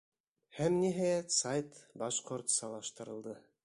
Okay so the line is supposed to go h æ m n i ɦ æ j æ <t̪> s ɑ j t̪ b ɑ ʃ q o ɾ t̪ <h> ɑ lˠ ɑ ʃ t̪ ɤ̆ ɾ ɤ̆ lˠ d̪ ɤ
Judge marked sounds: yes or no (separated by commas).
yes, no